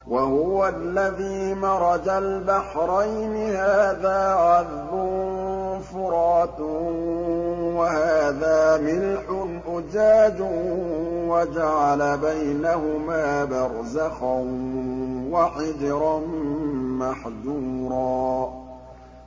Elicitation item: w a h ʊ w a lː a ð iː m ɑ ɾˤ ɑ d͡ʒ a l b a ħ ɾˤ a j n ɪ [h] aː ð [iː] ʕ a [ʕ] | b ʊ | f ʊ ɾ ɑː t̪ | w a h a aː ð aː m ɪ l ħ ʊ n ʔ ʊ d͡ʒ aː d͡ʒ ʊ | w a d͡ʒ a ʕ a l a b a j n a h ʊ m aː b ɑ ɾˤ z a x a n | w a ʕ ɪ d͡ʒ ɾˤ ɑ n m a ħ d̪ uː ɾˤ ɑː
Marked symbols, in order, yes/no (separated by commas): yes, no, no